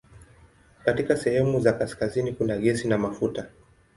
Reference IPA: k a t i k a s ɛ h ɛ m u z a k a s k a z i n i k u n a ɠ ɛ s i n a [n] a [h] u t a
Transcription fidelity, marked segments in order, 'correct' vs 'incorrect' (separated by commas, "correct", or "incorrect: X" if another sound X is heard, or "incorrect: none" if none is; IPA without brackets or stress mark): incorrect: m, incorrect: f